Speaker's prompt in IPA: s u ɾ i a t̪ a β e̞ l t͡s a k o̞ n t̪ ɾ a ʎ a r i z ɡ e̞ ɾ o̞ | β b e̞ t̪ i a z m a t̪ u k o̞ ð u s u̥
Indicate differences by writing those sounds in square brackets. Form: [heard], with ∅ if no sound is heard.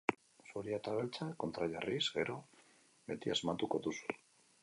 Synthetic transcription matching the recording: s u ɾ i a t̪ a β e̞ l t͡s a k o̞ n t̪ ɾ a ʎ a r i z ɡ e̞ ɾ o̞ | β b e̞ t̪ i a z m a t̪ u k o̞ ð u s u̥